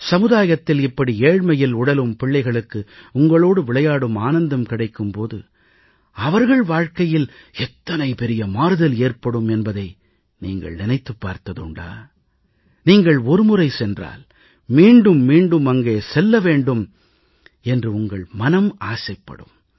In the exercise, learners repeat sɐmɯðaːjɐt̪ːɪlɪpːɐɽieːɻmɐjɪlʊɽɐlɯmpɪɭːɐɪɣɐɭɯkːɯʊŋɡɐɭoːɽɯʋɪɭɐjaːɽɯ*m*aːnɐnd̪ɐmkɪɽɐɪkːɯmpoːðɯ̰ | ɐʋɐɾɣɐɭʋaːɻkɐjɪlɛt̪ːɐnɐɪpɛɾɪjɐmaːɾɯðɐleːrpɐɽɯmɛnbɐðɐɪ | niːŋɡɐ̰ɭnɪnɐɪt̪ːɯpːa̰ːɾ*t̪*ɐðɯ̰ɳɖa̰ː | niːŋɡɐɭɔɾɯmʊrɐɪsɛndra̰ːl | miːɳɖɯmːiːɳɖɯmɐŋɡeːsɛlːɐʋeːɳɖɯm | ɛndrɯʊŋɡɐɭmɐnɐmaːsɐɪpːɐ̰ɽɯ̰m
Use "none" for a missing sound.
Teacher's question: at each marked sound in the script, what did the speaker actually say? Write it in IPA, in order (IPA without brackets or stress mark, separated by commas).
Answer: m, t̪